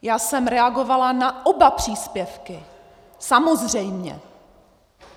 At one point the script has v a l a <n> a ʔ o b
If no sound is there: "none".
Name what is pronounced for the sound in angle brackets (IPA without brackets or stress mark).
n